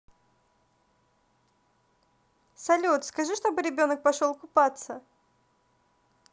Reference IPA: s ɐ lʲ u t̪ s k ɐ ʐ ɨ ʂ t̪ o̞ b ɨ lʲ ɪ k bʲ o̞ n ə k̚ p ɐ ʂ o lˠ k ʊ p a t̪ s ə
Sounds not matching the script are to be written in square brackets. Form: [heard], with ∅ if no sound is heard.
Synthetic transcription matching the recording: s ɐ lʲ u t̪ s k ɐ ʐ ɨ ʂ t̪ o̞ b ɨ [ɾʲ] ɪ [∅] bʲ o̞ n ə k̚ p ɐ ʂ o lˠ k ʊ p a t̪ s ə